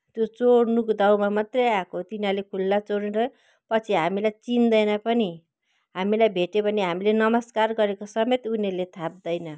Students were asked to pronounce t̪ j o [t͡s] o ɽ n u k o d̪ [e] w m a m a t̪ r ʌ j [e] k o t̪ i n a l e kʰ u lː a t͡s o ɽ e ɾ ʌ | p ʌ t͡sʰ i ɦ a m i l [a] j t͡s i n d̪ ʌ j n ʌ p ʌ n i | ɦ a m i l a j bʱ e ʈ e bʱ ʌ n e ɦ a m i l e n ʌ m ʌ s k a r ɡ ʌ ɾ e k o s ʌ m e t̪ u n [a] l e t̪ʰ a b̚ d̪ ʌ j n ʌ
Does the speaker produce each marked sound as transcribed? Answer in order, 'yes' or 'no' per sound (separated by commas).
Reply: yes, no, no, yes, no